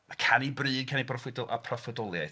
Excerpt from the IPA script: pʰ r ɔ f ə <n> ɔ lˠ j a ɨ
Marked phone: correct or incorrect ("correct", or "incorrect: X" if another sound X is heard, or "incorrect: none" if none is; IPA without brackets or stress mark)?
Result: incorrect: d